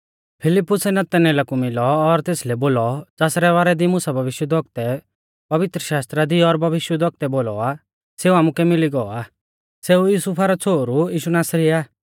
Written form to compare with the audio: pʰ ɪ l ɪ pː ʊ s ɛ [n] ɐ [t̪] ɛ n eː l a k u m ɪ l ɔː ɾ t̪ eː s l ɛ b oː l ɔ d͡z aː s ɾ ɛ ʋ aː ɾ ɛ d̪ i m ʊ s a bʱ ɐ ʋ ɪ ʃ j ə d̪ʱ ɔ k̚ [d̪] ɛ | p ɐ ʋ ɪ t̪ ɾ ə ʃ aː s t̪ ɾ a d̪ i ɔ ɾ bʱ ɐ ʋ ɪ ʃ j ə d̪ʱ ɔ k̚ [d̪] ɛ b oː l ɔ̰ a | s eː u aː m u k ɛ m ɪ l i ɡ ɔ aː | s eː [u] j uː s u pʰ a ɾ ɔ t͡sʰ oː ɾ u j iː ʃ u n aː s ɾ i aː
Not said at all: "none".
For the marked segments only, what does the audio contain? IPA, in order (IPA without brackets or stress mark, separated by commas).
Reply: n, t̪, t̪, t̪, u